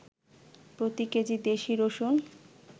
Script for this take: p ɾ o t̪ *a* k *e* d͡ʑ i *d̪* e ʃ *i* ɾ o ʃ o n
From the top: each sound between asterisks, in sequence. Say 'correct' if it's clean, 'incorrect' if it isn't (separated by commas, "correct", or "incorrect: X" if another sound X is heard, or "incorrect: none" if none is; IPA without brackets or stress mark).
incorrect: i, correct, correct, correct